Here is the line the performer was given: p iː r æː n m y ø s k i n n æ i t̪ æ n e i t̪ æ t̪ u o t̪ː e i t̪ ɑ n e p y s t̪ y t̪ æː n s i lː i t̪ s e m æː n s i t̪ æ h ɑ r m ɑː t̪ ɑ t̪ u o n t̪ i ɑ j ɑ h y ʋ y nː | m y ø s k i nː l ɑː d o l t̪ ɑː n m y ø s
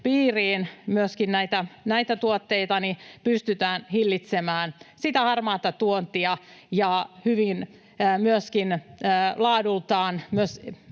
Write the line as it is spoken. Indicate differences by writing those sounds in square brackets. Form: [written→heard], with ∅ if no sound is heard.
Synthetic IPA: p iː r [æː→iː] n m y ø s k i n n æ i t̪ æ n [e→æ] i t̪ æ t̪ u o t̪ː e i t̪ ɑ n [e→i] p y s t̪ y t̪ æː n [s→h] i lː i t̪ s e m æː n s i t̪ æ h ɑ r m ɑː t̪ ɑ t̪ u o n t̪ i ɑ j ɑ h y ʋ [y→i] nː | m y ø s k i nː l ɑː d [o→u] l t̪ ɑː n m y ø s